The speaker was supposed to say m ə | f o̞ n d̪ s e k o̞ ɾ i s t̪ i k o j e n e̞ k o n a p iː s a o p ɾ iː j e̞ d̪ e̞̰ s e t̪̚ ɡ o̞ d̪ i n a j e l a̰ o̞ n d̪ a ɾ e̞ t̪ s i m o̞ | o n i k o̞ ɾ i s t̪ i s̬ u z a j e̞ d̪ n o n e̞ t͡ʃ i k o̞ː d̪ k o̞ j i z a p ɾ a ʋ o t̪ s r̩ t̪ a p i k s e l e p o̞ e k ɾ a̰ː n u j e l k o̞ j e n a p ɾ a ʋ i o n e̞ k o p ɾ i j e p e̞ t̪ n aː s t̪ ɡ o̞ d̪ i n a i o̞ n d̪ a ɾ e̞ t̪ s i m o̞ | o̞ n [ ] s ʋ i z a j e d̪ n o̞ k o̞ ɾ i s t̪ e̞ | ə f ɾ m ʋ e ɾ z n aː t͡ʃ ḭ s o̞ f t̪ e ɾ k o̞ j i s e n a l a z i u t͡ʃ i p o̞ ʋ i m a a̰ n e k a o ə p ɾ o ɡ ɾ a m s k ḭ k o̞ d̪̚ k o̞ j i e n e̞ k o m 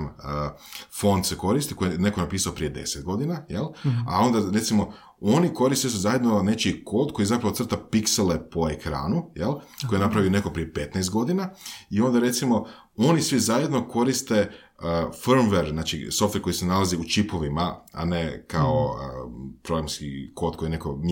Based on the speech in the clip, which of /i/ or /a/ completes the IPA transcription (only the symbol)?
i